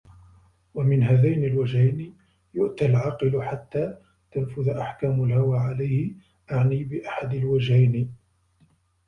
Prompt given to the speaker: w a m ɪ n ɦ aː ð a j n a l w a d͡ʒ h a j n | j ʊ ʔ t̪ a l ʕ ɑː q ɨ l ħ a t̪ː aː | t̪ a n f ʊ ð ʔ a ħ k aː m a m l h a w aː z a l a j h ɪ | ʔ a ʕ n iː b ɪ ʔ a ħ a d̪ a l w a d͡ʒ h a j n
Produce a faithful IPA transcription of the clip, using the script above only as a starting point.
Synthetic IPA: w a m ɪ n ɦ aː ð a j n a l w a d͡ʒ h a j n | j ʊ ʔ t̪ a l ʕ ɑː q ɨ l ħ a t̪ː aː | t̪ a n f ʊ ð ʔ a ħ k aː m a l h a w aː ʕ a l a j h ɪ | ʔ a ʕ n iː b ɪ ʔ a ħ a d̪ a l w a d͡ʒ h a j n